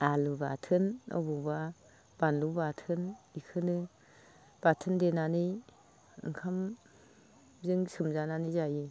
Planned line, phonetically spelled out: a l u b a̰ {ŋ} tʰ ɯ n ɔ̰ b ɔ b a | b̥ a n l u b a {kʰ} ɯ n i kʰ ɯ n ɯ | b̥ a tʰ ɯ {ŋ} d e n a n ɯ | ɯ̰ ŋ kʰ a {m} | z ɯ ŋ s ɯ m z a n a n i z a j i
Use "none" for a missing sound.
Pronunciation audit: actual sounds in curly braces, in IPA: none, tʰ, n, m

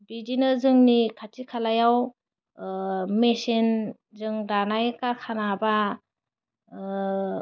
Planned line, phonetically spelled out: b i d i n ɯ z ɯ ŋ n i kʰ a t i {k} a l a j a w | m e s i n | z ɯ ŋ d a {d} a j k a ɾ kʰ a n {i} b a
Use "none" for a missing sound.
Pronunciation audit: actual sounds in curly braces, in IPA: kʰ, n, a

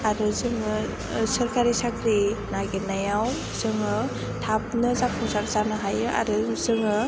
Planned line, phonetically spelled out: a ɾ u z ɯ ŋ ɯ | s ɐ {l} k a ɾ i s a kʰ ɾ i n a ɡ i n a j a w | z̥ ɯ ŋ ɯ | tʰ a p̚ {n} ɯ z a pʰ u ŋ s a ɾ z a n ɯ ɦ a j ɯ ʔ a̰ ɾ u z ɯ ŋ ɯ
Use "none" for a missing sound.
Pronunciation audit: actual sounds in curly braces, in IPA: ɾ, n

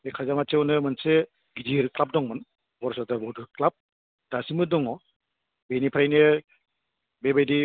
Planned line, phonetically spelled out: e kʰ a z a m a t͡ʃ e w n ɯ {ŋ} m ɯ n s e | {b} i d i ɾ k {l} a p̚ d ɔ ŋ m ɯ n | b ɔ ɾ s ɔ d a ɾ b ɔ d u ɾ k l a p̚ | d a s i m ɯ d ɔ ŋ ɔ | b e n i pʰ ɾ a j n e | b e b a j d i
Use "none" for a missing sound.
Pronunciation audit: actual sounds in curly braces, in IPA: none, ɡ, l

